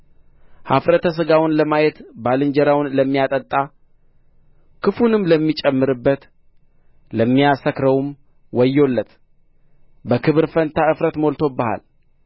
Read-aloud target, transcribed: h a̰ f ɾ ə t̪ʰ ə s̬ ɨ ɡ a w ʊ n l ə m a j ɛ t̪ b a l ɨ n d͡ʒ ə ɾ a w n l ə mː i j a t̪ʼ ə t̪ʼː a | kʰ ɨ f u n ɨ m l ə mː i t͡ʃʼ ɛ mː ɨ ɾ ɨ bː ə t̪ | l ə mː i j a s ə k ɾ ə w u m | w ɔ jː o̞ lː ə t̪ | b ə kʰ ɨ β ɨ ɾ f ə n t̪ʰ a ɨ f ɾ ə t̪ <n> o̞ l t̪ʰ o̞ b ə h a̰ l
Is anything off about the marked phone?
yes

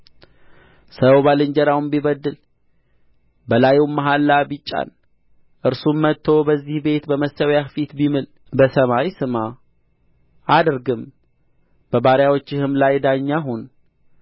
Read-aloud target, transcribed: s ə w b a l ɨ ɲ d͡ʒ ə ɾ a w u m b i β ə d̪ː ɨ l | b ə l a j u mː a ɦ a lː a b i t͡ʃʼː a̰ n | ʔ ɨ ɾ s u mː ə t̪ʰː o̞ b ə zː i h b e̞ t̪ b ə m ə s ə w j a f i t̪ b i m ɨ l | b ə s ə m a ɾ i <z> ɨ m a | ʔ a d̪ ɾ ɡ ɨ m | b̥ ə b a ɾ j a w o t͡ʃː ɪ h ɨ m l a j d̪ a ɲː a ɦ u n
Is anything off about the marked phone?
yes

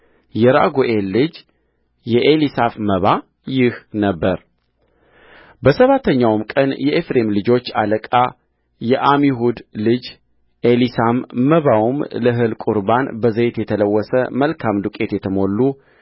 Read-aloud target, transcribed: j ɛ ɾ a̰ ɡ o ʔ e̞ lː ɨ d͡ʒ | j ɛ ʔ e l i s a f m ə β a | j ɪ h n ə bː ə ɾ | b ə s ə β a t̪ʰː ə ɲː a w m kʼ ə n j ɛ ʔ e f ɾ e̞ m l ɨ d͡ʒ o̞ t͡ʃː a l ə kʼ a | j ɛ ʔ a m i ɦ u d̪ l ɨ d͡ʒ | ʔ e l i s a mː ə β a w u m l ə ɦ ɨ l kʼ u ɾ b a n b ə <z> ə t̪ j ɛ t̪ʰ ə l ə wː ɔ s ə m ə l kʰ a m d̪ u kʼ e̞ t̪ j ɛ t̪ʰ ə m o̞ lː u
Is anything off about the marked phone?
no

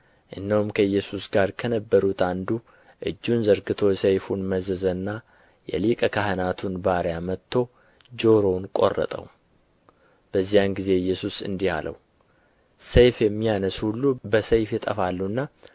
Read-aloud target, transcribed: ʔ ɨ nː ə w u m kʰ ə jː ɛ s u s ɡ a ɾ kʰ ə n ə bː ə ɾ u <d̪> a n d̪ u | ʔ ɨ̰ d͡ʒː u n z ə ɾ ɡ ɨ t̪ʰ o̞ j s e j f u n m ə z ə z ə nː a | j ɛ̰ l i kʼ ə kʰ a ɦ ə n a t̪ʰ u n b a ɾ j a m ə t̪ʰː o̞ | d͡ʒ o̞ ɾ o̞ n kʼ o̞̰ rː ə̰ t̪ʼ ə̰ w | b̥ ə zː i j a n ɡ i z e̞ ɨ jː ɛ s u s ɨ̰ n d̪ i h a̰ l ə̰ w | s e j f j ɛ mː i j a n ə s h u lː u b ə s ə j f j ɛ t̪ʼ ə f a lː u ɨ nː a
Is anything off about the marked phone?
yes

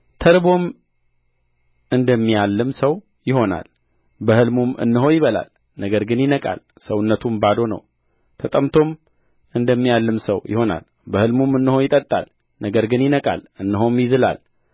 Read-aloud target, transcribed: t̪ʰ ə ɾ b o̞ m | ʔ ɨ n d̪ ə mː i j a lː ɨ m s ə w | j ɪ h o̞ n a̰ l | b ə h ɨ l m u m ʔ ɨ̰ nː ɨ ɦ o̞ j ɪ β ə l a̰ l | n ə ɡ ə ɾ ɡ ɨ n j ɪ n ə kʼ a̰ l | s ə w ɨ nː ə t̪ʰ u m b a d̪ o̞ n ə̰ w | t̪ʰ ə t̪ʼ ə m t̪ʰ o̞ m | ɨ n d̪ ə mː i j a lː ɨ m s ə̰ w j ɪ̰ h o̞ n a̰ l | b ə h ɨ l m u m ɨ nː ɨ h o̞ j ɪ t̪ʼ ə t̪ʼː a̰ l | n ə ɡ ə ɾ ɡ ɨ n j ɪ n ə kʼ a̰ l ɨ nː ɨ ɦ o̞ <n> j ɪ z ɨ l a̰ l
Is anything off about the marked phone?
yes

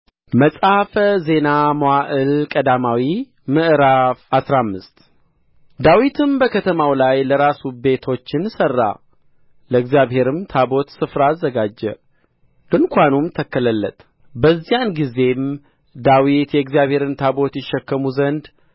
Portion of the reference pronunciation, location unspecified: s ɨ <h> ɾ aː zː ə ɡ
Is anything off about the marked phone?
yes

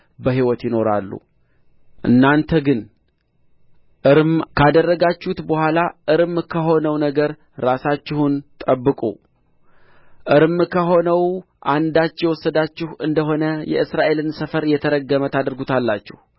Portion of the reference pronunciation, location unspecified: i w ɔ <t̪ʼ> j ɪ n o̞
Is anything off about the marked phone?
yes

